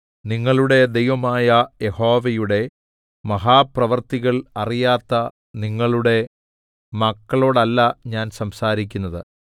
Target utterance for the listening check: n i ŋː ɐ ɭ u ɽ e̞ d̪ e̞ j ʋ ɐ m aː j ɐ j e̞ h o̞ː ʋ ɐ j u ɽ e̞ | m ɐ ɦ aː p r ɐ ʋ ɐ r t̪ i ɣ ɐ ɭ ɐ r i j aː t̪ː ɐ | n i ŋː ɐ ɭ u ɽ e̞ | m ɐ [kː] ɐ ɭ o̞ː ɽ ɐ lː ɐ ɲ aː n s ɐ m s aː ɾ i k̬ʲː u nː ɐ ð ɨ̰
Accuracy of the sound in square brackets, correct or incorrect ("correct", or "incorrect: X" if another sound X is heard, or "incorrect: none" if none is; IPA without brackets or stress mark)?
correct